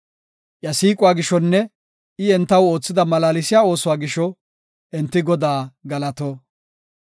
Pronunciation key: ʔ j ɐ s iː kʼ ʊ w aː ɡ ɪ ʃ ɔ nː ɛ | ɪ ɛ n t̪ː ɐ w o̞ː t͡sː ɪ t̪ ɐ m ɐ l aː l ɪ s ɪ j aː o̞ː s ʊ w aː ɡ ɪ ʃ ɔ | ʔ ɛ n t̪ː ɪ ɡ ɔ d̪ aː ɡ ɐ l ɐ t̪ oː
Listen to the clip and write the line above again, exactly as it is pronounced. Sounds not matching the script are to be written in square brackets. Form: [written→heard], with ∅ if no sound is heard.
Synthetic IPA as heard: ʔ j ɐ s iː kʼ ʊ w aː ɡ ɪ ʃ ɔ nː ɛ | ɪ ɛ n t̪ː ɐ w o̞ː t͡sː ɪ [t̪→d̪] ɐ m ɐ l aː l ɪ s ɪ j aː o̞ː s ʊ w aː ɡ ɪ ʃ ɔ | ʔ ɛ n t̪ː ɪ ɡ ɔ d̪ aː ɡ ɐ l ɐ t̪ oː